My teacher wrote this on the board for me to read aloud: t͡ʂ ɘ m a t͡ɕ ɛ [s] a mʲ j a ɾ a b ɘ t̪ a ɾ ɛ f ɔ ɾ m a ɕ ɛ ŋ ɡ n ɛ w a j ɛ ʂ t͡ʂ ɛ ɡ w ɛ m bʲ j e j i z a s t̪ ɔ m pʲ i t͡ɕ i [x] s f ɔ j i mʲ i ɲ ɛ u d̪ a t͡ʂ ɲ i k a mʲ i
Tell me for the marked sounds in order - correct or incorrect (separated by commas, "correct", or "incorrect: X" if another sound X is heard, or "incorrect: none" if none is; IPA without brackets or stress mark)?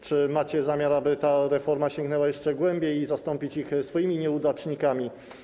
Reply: incorrect: z, correct